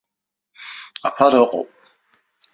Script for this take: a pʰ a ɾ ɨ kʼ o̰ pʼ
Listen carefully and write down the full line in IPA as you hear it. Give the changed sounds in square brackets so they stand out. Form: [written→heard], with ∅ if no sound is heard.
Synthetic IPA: a pʰ a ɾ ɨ [kʼ→qʼ] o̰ pʼ